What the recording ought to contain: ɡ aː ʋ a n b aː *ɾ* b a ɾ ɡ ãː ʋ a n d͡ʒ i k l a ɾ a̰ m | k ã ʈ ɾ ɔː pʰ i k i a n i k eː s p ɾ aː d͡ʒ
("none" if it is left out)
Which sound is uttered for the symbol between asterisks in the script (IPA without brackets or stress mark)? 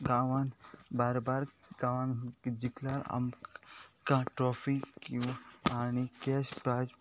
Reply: ɾ